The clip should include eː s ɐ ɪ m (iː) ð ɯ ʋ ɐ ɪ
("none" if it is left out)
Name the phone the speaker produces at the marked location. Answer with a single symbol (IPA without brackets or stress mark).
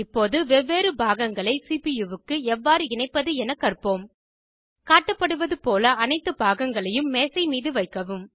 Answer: iː